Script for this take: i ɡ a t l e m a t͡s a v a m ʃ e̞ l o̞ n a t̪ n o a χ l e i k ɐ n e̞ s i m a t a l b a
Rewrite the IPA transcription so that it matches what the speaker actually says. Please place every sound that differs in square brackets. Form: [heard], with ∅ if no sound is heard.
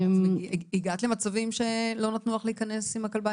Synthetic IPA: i ɡ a t l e m a t͡s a v [i] m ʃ e̞ l o̞ n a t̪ n [u] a χ l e i k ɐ n e̞ s i m a [k] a l b a